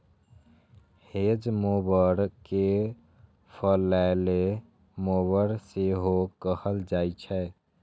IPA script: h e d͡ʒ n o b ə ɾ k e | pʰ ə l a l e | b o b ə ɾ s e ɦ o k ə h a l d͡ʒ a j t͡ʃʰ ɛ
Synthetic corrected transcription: h e d͡ʒ m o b ə ɾ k e | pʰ ə l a l e | m o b ə ɾ s e ɦ o k ə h ə l d͡ʒ a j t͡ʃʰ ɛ